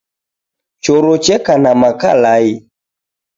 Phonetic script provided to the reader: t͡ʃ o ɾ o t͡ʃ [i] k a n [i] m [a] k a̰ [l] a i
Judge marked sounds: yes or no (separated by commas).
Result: no, no, yes, yes